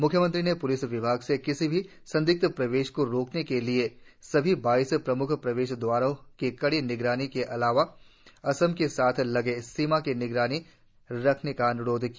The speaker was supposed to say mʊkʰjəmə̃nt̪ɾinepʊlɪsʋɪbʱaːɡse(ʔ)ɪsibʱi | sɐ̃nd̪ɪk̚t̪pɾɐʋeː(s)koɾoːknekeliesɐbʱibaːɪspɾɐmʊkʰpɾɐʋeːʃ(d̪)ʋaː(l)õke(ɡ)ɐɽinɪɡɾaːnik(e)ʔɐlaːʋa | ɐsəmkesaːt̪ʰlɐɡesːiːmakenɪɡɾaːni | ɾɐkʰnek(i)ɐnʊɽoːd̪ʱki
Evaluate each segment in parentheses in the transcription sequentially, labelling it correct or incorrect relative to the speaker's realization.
incorrect: k, incorrect: ʃ, correct, incorrect: ɾ, incorrect: k, correct, incorrect: a

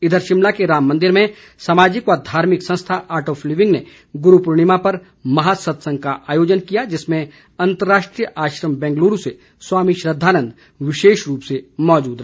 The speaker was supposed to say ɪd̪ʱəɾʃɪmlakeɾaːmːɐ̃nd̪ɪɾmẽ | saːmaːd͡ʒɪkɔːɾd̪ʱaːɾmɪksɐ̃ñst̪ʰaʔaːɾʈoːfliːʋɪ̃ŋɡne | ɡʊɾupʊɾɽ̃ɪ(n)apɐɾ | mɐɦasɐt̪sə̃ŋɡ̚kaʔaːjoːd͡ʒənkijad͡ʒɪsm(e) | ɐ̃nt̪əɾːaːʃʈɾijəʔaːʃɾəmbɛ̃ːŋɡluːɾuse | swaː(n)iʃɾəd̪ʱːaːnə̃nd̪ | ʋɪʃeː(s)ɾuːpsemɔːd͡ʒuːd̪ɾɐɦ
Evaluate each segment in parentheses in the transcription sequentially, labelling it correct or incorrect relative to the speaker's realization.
incorrect: m, incorrect: ẽ, incorrect: m, incorrect: ʃ

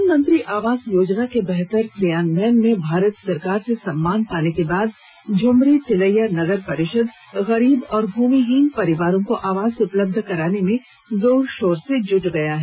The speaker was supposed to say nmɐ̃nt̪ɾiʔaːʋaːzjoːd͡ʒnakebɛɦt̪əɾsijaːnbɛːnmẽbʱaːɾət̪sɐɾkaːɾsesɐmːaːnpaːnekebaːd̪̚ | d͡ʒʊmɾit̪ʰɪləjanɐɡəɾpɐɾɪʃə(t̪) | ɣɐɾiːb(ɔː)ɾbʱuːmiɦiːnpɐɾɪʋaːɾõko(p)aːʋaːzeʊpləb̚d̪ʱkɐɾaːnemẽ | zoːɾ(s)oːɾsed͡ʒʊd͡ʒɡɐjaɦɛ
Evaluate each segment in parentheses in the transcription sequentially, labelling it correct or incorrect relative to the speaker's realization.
incorrect: d̪, correct, incorrect: ʔ, incorrect: ʃ

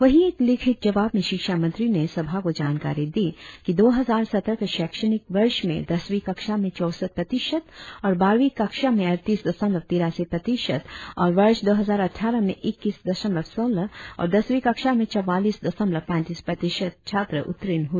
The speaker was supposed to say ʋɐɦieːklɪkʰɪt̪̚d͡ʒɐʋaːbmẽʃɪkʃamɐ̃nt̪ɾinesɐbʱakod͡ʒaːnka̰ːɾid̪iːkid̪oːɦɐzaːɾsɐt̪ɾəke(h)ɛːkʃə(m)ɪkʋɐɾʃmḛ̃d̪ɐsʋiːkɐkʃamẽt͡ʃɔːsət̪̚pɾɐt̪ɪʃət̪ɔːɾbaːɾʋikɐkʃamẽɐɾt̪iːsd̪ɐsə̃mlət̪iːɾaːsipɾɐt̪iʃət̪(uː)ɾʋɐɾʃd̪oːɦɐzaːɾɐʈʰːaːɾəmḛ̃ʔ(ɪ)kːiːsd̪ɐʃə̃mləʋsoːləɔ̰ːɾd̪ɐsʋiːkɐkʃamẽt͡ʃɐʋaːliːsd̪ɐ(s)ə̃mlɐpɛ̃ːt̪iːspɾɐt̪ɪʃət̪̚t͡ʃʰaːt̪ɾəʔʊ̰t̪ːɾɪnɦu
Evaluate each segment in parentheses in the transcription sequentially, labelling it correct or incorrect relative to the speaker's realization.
incorrect: ʃ, incorrect: n, incorrect: ɔː, correct, correct

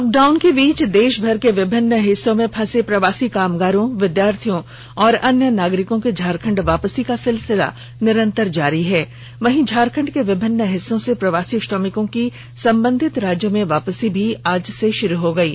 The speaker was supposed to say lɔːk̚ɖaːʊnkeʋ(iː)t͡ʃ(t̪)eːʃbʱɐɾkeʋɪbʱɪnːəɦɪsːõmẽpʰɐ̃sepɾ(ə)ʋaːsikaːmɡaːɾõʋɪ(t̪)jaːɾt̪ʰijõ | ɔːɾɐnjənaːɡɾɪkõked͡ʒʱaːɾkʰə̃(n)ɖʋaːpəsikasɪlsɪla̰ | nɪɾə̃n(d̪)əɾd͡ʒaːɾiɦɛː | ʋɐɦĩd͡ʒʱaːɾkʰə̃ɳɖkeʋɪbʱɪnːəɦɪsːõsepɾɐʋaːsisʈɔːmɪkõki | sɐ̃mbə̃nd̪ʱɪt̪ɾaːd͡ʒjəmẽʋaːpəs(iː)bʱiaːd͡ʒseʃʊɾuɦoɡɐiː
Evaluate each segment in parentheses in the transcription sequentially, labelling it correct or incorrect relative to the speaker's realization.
correct, incorrect: d̪, incorrect: ɐ, incorrect: d̪, incorrect: ɳ, incorrect: t̪, incorrect: i

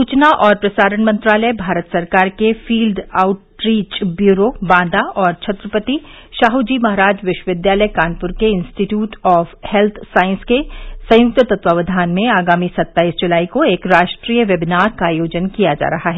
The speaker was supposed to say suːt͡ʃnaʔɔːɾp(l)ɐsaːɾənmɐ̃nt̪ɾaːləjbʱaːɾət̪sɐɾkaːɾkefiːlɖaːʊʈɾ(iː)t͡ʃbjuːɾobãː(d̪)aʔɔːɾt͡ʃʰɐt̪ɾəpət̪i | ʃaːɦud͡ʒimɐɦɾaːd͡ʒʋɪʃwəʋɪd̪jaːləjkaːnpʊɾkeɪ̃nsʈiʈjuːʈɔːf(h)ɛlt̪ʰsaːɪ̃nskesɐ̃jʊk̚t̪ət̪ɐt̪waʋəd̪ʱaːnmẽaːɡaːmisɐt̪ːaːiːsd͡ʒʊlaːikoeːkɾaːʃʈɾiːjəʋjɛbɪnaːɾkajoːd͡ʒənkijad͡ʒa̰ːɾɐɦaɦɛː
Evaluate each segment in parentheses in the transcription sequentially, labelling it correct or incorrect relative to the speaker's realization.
incorrect: ɾ, correct, correct, correct

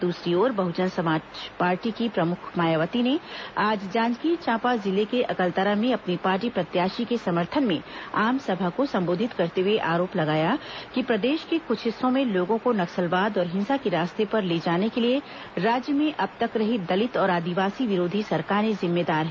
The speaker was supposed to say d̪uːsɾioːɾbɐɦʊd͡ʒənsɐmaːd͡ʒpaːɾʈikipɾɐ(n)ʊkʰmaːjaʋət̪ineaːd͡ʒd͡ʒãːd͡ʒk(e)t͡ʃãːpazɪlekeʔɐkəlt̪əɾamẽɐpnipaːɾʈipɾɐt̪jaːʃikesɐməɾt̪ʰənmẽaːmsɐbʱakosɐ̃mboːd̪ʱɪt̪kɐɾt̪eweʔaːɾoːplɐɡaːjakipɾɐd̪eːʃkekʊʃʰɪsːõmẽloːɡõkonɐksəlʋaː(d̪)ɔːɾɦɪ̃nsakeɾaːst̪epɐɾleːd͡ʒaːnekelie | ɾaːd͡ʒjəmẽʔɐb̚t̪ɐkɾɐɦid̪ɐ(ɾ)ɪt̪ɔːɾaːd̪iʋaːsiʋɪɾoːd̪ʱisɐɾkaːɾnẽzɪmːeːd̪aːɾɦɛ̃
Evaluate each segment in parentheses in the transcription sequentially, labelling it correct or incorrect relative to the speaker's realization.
incorrect: m, incorrect: i, correct, incorrect: l

